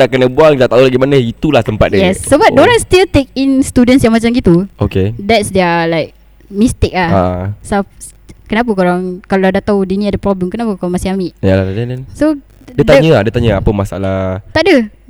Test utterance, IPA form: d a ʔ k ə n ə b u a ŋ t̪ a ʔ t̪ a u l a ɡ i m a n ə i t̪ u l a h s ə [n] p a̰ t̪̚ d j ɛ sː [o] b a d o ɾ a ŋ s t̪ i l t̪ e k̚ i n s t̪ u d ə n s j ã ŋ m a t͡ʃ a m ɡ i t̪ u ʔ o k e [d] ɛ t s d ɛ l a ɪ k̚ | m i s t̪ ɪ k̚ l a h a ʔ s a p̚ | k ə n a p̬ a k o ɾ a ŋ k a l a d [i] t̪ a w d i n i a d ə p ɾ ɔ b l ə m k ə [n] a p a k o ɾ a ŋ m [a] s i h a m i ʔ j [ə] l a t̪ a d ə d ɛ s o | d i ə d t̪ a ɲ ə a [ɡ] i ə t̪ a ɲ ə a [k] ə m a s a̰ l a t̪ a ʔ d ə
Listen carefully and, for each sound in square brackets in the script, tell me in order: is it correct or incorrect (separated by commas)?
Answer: incorrect, correct, correct, incorrect, correct, correct, incorrect, incorrect, incorrect